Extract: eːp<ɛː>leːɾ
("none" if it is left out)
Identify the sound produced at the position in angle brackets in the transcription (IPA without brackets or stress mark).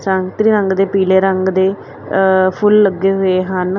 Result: iː